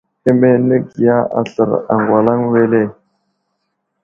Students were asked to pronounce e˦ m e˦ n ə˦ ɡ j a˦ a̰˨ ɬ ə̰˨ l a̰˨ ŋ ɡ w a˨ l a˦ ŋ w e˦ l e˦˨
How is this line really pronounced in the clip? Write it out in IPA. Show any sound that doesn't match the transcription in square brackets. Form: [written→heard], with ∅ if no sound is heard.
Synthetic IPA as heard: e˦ m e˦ n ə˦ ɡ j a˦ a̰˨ ɬ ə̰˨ [l→ɾ] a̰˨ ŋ ɡ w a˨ l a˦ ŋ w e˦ l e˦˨

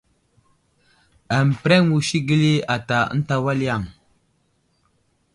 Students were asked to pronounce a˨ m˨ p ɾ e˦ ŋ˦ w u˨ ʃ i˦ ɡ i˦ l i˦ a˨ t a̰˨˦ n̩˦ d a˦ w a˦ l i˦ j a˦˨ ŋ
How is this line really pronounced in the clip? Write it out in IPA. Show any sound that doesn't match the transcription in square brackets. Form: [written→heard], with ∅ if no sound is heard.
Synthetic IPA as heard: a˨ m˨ p ɾ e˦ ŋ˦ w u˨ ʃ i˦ ɡ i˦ l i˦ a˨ t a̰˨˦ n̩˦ [d→t] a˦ w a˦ l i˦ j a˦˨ ŋ

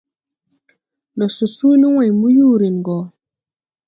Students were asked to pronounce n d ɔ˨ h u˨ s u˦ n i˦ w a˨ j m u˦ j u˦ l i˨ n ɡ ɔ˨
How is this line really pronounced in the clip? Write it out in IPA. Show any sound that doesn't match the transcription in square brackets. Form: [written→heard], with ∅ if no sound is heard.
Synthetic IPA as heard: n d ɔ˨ [h→s] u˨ s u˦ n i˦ w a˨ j m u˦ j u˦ [l→ɾ] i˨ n ɡ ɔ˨

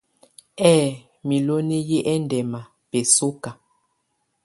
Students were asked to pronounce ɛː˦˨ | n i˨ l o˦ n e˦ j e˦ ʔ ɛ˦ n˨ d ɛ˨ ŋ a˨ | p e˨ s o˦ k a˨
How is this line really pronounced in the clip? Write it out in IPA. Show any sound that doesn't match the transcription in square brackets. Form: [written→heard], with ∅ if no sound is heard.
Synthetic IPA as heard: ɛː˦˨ | [n→m] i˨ l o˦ n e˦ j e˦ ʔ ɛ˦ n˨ d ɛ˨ [ŋ→m] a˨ | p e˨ s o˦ k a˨

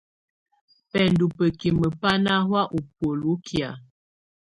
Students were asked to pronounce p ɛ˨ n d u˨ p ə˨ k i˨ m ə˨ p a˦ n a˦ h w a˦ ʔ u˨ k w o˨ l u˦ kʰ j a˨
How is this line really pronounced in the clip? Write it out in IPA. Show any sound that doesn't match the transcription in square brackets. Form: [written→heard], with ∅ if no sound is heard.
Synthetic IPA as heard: p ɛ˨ n d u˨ p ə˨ k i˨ m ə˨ p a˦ n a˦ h w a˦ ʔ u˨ [k→p] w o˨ l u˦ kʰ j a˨

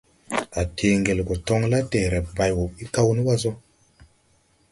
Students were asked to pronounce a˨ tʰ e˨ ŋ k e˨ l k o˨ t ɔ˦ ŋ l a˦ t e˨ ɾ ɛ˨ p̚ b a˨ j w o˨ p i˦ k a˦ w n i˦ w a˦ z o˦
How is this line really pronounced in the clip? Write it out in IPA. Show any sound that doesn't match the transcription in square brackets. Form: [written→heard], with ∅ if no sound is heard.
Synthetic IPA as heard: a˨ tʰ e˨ ŋ [k→ɡ] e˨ l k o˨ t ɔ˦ ŋ l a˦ t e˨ ɾ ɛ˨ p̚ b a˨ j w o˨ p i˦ k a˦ w n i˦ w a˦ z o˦

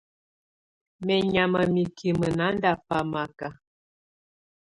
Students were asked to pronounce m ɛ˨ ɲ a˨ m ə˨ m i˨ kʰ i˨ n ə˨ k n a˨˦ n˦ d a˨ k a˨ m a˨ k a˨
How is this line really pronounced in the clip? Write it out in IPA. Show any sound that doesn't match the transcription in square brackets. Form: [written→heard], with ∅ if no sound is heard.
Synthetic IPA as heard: m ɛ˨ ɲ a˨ m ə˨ m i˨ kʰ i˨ [n→m] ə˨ [k→∅] n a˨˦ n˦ d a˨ [k→p] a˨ m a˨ k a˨

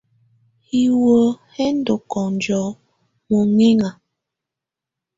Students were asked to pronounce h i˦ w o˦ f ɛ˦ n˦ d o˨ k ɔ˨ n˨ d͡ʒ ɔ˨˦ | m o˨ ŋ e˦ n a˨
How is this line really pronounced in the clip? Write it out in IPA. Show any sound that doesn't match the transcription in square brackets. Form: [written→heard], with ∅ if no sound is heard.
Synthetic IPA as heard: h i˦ w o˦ [f→h] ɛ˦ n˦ d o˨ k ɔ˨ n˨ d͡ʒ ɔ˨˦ | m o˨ ŋ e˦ [n→ŋ] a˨

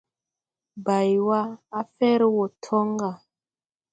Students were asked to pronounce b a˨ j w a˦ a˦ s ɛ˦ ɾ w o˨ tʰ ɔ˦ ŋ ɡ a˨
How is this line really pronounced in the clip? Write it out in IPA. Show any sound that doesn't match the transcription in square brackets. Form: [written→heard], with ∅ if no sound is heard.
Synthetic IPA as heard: b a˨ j w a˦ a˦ [s→f] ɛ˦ ɾ w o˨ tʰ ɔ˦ ŋ ɡ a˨

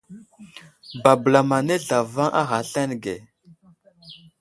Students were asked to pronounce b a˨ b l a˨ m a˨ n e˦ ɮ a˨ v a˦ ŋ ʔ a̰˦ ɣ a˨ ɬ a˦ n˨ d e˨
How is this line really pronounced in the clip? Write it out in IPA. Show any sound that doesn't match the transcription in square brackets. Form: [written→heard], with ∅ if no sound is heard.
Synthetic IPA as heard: b a˨ b l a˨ m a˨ n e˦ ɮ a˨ v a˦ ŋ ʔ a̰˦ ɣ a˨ ɬ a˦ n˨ [d→ɡ] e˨

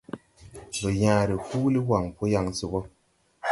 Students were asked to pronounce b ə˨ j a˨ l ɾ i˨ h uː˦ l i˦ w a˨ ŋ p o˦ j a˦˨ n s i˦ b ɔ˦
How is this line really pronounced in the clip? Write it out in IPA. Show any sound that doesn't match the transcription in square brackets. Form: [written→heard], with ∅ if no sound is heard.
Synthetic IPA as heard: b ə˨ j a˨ [l→∅] ɾ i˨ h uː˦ l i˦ w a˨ ŋ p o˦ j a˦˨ [n→ŋ] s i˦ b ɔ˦

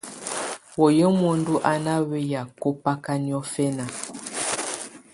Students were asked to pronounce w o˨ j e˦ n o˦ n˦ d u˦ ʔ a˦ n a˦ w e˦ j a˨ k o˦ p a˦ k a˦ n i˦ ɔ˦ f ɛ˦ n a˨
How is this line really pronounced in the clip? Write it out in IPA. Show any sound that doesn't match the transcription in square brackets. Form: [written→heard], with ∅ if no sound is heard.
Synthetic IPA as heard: w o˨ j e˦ [n→m] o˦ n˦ d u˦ ʔ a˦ n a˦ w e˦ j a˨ k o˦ p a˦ k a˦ n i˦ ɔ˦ f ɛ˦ n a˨

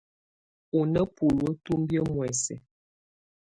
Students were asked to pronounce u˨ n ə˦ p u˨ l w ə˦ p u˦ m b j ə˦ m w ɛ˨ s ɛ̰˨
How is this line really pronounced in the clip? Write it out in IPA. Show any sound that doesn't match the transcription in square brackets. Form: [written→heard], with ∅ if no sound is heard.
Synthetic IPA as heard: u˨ n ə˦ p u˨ l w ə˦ [p→t] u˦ m b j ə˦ m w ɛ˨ s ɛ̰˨

